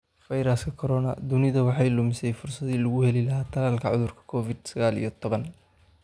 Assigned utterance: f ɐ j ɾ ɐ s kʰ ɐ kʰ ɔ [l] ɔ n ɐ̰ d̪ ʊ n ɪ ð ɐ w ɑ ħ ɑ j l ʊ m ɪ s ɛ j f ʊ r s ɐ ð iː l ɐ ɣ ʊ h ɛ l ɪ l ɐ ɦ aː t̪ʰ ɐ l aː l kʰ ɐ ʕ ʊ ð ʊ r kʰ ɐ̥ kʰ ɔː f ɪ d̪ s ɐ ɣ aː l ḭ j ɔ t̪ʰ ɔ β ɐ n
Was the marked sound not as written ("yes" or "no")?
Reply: yes